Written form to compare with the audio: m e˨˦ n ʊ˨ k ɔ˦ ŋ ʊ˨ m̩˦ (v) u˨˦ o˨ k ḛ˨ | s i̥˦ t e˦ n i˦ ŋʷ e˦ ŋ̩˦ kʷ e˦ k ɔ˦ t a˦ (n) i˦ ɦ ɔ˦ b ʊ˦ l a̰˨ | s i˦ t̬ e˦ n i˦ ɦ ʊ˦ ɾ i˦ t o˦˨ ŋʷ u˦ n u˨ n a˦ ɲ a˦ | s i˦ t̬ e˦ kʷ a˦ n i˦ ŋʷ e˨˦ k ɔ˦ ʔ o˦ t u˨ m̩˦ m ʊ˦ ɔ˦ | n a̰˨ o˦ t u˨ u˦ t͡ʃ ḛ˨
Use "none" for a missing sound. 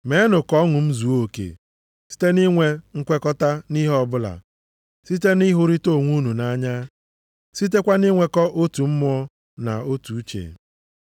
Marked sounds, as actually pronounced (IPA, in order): z, n

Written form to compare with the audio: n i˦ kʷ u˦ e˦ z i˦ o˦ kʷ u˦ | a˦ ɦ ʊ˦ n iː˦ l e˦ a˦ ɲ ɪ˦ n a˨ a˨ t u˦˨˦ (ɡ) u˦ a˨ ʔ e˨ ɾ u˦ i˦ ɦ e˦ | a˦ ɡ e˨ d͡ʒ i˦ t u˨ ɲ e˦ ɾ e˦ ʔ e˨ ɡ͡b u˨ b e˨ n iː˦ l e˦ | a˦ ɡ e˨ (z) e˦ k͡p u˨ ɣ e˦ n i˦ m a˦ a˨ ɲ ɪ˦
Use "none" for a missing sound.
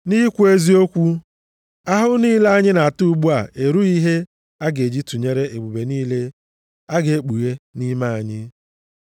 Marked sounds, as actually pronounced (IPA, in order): ɡ͡b, none

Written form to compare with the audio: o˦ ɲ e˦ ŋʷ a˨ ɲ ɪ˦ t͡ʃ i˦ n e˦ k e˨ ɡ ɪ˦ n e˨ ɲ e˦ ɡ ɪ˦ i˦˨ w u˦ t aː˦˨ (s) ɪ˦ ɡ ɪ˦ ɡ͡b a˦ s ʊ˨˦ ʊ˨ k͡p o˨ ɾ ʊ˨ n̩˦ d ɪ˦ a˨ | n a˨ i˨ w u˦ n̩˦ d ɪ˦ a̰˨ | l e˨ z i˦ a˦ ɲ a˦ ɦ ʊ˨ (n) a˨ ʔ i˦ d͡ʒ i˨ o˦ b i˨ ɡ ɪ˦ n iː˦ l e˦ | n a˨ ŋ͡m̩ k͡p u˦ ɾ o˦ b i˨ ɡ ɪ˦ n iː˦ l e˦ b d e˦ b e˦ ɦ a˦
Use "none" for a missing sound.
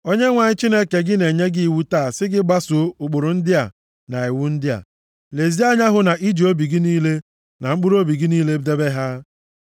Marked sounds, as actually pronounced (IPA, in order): s, n

